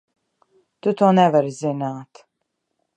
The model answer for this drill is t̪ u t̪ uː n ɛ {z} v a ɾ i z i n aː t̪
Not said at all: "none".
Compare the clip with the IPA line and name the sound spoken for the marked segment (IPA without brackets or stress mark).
none